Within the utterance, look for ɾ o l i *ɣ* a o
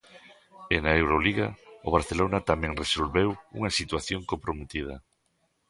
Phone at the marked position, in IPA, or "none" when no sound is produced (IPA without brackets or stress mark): ɣ